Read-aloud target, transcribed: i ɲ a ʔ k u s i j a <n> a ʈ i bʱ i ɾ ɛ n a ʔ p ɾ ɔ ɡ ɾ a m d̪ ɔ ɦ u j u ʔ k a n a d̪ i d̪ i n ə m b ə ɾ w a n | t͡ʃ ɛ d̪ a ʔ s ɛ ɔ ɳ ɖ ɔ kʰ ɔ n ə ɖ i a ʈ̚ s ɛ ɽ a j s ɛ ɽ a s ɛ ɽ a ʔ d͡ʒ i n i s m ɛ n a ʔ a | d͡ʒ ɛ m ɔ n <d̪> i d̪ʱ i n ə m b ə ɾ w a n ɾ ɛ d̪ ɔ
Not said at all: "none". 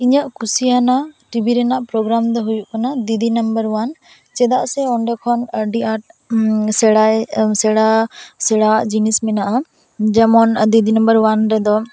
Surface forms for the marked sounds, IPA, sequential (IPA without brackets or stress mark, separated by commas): n, d̪